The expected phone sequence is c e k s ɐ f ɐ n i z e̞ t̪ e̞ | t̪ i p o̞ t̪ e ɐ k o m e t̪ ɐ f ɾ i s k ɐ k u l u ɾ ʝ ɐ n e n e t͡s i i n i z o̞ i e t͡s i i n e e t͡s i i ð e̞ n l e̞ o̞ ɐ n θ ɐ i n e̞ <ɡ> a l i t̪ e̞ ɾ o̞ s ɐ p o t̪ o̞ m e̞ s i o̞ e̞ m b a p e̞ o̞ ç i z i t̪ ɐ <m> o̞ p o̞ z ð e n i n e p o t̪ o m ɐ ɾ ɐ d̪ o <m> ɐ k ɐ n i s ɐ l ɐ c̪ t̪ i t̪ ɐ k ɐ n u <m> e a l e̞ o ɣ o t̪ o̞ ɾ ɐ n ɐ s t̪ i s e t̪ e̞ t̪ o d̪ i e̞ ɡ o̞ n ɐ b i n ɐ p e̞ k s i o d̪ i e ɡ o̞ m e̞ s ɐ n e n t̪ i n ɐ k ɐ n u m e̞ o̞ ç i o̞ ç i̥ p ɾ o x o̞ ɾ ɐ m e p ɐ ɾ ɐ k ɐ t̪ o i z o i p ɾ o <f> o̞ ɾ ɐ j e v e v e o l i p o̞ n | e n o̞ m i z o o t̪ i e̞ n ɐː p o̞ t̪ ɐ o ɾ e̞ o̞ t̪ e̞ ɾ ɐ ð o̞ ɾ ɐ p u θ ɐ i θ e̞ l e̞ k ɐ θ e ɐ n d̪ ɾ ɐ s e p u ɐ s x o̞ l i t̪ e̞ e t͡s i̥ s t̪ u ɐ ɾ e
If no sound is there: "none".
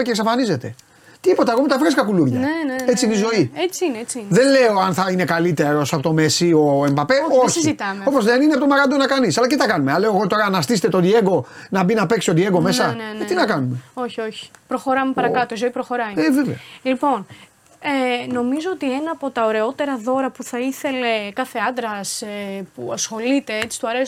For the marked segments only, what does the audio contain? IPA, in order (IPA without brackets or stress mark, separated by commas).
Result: k, m, n, m, x